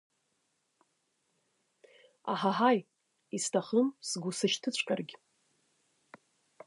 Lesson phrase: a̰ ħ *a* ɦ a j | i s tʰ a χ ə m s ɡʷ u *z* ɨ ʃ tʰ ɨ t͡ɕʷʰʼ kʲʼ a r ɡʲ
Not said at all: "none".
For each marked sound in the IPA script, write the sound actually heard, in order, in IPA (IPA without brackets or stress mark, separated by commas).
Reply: a, s